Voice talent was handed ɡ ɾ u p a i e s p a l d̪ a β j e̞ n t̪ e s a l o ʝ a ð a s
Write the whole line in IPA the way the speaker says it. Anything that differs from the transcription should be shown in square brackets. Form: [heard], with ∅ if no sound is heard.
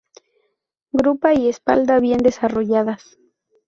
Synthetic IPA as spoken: ɡ ɾ u p a i e s p a l d̪ a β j e̞ n [d̪] e s a [r] o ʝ a ð a s